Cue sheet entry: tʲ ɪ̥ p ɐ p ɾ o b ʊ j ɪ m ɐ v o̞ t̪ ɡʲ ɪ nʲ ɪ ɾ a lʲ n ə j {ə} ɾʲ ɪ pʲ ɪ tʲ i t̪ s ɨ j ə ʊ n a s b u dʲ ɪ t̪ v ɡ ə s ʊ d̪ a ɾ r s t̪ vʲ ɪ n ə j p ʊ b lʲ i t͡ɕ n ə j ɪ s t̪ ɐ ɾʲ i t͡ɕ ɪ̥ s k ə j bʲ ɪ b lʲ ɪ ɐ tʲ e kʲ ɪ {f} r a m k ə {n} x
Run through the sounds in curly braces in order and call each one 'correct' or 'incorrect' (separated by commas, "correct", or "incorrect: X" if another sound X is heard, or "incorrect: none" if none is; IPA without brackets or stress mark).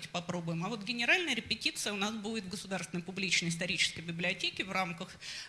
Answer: correct, incorrect: v, incorrect: none